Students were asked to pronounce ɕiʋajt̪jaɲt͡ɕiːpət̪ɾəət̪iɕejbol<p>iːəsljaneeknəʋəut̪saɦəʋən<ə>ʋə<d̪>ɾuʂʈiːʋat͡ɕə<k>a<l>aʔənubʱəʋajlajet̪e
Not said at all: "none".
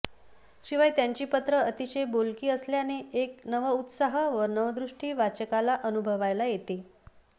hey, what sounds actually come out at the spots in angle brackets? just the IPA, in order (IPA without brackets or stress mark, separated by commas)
k, ə, d̪, k, l